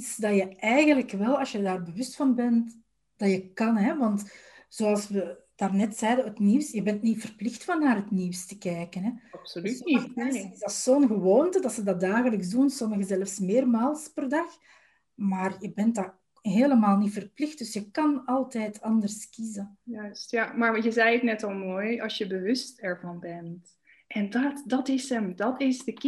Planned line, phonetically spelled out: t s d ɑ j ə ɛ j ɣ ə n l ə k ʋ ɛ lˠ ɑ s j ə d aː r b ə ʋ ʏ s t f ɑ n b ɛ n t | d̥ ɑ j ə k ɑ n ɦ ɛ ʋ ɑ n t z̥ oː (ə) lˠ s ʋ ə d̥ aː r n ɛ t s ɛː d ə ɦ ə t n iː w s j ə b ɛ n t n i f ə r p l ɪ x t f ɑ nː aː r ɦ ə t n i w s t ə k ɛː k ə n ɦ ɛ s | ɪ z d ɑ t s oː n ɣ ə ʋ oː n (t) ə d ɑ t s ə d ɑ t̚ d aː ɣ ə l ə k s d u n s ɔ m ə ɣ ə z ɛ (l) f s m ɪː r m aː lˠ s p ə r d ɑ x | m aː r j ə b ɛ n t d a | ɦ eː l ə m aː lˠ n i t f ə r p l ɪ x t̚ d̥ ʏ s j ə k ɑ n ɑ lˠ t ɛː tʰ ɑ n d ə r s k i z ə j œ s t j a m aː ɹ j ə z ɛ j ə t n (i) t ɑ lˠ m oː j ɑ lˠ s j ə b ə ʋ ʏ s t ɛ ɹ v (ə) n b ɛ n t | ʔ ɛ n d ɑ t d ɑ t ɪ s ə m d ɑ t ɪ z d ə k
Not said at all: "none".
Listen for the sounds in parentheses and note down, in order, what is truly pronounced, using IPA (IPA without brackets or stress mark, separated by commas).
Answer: ɑ, t, l, ɛ, ɑ